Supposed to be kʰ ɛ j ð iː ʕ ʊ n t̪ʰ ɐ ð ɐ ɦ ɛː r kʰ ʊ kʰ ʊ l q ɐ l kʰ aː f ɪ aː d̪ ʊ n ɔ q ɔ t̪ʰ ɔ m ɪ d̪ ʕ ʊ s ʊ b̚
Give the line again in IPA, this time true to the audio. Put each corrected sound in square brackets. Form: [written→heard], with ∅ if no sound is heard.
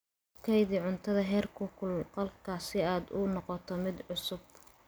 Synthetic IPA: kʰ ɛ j ð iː ʕ ʊ n t̪ʰ ɐ ð ɐ ɦ ɛː r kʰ ʊ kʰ ʊ l q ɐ l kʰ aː [f→s] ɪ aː d̪ ʊ n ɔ q ɔ t̪ʰ ɔ m ɪ d̪ ʕ ʊ s ʊ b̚